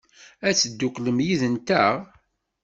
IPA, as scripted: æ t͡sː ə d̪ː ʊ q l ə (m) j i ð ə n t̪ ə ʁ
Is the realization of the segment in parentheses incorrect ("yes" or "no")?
no